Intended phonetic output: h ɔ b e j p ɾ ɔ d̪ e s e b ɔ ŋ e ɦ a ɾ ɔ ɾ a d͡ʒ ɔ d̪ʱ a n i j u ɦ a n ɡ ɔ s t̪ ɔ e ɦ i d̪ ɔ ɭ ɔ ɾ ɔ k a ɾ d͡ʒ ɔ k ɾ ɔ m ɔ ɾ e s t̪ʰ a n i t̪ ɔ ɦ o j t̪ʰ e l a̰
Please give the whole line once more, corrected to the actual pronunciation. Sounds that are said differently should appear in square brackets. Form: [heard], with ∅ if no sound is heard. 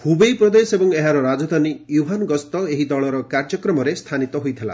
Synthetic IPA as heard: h [u] b e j p ɾ ɔ d̪ e s e b ɔ ŋ e ɦ a ɾ ɔ ɾ a d͡ʒ ɔ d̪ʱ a n i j u ɦ a n ɡ ɔ s t̪ ɔ e ɦ i d̪ ɔ ɭ ɔ ɾ ɔ k a ɾ d͡ʒ ɔ k ɾ ɔ m ɔ ɾ e s t̪ʰ a n i t̪ ɔ ɦ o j t̪ʰ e l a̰

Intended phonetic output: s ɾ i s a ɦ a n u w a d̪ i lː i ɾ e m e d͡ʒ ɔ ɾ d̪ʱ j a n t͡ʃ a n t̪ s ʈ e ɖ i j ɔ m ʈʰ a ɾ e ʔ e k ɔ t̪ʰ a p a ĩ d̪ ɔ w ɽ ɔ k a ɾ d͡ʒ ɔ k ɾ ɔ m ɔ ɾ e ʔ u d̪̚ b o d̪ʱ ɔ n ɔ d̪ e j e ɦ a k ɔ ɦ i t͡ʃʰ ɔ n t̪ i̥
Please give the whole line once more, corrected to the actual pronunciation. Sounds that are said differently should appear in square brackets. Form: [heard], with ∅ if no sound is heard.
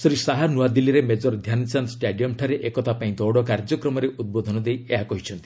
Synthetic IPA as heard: s ɾ i s a ɦ a n u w a d̪ i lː i ɾ e m e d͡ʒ ɔ ɾ d̪ʱ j a n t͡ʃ a n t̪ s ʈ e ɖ i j ɔ m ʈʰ a ɾ e ʔ e k ɔ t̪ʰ a p a ĩ d̪ ɔ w ɽ ɔ k a ɾ d͡ʒ ɔ k ɾ ɔ m ɔ ɾ e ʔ u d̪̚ b o d̪ʱ ɔ n ɔ d̪ e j e ɦ a k ɔ ɦ i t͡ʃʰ ɔ n t̪ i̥

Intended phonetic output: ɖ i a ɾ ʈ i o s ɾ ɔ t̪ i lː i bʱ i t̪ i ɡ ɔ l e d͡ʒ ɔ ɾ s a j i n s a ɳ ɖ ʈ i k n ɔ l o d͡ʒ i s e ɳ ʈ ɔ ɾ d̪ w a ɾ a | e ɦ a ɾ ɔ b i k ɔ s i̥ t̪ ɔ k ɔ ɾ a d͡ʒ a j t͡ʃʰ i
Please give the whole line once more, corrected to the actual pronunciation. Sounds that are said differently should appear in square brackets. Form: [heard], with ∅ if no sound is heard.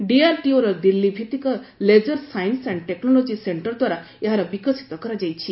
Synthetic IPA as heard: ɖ i a ɾ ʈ i o [∅] ɾ ɔ [d̪] i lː i bʱ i t̪ i [k] ɔ l e d͡ʒ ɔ ɾ s a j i n s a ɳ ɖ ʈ [e] k n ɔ l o d͡ʒ i s e ɳ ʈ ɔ ɾ d̪ w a ɾ a | e ɦ a ɾ ɔ b i k ɔ s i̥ t̪ ɔ k ɔ ɾ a d͡ʒ a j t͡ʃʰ i

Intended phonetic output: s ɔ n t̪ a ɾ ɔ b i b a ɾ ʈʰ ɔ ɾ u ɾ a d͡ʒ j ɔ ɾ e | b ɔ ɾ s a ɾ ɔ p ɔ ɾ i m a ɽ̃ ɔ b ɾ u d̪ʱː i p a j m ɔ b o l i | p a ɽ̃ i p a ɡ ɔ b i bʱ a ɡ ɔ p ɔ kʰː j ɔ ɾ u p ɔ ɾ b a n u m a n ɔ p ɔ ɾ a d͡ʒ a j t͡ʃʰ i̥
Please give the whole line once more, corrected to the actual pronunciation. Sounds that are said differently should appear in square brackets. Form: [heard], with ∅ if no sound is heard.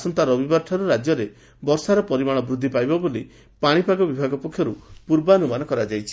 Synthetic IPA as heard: s ɔ n t̪ a ɾ ɔ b i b a ɾ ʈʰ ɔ ɾ u ɾ a d͡ʒ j ɔ ɾ e | b ɔ ɾ s a ɾ ɔ p ɔ ɾ i m a ɽ̃ ɔ b ɾ u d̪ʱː i p a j [b] ɔ b o l i | p a ɽ̃ i p a ɡ ɔ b i bʱ a ɡ ɔ p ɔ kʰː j ɔ ɾ u p [u] ɾ b a n u m a n ɔ [k] ɔ ɾ a d͡ʒ a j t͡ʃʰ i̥

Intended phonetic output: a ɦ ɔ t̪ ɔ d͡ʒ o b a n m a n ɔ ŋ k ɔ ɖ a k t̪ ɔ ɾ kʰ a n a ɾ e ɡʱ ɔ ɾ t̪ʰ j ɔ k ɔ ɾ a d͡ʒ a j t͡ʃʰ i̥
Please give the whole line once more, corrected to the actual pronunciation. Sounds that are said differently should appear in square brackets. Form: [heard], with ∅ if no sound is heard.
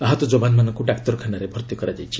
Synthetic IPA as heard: a ɦ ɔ t̪ ɔ d͡ʒ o b a n m a n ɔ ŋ k [u] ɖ a k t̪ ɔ ɾ kʰ a n a ɾ e [bʱ] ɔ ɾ [t̪] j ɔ k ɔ ɾ a d͡ʒ a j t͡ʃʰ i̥

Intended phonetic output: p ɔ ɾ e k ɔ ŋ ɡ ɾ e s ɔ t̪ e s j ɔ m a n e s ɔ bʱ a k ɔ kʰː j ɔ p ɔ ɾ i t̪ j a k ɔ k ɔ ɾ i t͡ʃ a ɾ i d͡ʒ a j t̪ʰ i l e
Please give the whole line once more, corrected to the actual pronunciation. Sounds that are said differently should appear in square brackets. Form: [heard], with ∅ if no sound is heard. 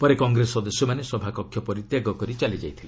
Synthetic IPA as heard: p ɔ ɾ e k ɔ ŋ ɡ ɾ e s ɔ [d̪] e s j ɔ m a n e s ɔ bʱ a k ɔ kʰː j ɔ p ɔ ɾ i t̪ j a [ɡ] ɔ k ɔ ɾ i t͡ʃ a [l] i d͡ʒ a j t̪ʰ i l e

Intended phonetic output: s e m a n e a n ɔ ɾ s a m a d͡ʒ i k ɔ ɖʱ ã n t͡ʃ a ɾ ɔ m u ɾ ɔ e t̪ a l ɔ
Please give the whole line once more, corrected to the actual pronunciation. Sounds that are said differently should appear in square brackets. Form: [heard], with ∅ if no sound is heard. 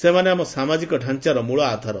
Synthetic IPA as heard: s e m a n e a [m] ɔ [∅] s a m a d͡ʒ i k ɔ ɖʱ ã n t͡ʃ a ɾ ɔ m u [ɭ] ɔ [a] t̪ a [ɾ] ɔ

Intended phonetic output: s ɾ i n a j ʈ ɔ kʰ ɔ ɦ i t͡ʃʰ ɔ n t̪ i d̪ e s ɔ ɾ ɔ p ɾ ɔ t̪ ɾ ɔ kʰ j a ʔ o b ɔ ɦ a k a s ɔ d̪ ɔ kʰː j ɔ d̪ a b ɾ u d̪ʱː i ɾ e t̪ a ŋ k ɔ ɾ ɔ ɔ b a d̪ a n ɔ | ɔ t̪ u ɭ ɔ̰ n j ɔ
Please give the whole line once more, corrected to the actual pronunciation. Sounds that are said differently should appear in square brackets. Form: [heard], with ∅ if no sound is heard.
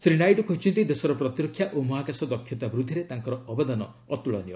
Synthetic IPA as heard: s ɾ i n a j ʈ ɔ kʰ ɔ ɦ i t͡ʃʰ ɔ n t̪ i d̪ e s ɔ ɾ ɔ p ɾ ɔ t̪ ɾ ɔ kʰ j a ʔ o [m] ɔ ɦ a k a s ɔ d̪ ɔ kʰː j ɔ [t̪] a b ɾ u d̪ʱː i ɾ e t̪ a ŋ k ɔ ɾ ɔ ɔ b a d̪ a n ɔ | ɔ t̪ u ɭ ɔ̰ n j ɔ

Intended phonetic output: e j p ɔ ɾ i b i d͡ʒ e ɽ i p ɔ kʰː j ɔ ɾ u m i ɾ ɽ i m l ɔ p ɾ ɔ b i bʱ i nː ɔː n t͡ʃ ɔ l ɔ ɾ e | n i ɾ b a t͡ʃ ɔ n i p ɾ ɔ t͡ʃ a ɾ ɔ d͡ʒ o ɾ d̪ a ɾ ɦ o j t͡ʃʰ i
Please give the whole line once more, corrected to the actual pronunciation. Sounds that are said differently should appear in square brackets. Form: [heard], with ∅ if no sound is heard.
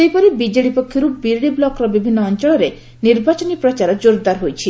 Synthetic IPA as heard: e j p ɔ ɾ i b i d͡ʒ e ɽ i p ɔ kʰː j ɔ ɾ u [b] i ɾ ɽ i [b] l ɔ [k] ɾ ɔ b i bʱ i nː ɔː n t͡ʃ ɔ [ɭ] ɔ ɾ e | n i ɾ b a t͡ʃ ɔ n i p ɾ ɔ t͡ʃ a ɾ ɔ d͡ʒ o ɾ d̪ a ɾ ɦ o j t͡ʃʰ i

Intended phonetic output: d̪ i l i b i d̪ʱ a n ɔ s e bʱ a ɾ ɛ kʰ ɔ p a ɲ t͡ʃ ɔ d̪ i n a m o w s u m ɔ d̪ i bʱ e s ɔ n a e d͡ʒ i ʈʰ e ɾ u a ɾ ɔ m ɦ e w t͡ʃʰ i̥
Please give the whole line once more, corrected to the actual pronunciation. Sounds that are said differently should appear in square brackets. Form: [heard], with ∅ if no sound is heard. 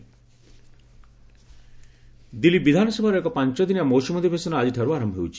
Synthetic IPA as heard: d̪ i l i b i d̪ʱ a n ɔ s e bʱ a ɾ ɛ [k] ɔ p a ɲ t͡ʃ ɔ d̪ i n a m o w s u m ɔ d̪ i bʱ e s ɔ n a [a] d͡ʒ i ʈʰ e ɾ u a ɾ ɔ m ɦ e w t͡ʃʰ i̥

